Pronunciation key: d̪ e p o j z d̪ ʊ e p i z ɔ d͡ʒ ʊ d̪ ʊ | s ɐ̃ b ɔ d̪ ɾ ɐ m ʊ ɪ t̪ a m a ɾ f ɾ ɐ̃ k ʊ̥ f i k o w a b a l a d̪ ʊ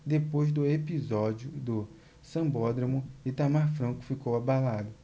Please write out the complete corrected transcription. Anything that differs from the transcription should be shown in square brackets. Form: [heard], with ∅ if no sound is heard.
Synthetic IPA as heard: d̪ e p o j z d̪ ʊ e p i z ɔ d͡ʒ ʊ d̪ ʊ | s ɐ̃ b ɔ d̪ ɾ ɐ m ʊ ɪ t̪ a m a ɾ f ɾ ɐ̃ k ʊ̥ f i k o w a b a l a d̪ ʊ